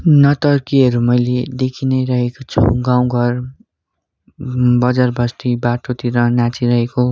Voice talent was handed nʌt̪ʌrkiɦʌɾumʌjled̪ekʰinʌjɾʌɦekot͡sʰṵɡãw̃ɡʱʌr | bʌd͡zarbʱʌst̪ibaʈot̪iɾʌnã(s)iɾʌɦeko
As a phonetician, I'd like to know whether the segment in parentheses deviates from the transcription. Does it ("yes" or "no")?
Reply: yes